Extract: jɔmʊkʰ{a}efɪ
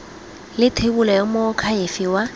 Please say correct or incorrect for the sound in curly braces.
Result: correct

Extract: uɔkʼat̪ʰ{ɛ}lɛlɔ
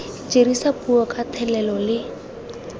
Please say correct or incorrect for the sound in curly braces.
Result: correct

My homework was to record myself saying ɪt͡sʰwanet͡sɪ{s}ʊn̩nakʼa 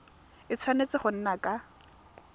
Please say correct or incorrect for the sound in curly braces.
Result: incorrect: χ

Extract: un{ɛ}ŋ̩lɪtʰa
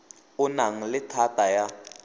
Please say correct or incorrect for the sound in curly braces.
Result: incorrect: a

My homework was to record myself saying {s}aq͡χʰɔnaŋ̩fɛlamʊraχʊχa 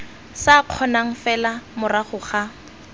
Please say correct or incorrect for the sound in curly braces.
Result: correct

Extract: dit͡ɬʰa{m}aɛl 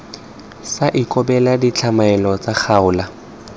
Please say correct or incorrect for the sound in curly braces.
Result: correct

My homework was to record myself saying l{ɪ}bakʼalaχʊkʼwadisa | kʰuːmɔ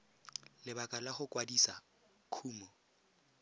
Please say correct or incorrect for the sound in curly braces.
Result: correct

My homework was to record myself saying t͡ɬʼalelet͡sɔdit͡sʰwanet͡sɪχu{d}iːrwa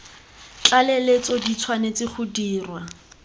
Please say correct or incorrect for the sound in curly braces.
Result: correct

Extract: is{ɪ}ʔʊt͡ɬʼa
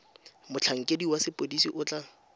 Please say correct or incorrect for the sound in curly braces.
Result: incorrect: i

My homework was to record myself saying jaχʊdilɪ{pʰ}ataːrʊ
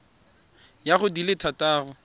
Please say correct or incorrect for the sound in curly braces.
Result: incorrect: tʰ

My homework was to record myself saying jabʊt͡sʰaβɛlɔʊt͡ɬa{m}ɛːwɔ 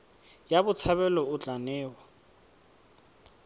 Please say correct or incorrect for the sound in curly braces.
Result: incorrect: n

